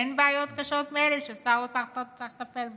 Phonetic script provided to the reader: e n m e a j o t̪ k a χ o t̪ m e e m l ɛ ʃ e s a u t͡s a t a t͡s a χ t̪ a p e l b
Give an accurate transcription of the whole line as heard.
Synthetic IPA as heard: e n b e a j o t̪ k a ʃ o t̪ m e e l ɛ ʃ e s a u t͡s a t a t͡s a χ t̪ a p e l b